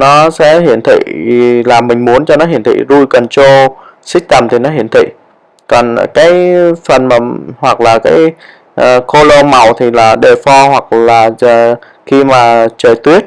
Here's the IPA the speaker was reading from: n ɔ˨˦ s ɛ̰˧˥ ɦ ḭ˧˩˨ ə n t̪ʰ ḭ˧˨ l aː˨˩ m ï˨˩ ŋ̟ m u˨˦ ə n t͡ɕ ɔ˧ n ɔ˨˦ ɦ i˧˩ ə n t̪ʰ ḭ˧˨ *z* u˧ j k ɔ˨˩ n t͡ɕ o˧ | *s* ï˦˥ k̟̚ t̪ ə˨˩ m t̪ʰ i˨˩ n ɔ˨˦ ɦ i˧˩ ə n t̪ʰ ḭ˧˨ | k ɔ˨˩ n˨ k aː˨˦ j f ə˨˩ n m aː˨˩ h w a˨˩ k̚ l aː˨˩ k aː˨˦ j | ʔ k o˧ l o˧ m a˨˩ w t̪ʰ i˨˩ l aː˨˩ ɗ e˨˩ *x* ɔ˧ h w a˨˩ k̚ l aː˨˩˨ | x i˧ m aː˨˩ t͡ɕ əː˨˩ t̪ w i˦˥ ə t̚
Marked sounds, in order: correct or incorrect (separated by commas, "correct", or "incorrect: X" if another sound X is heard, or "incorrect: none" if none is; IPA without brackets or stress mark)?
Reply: correct, correct, incorrect: f